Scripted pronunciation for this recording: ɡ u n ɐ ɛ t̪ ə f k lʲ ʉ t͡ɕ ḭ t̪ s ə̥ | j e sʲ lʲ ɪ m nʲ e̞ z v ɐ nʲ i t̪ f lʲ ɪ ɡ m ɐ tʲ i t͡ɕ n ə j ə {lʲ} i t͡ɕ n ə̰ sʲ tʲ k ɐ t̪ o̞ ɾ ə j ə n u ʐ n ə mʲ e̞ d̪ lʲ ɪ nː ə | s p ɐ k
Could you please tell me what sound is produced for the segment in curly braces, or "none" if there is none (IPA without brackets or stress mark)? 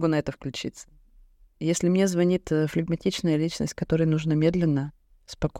lʲ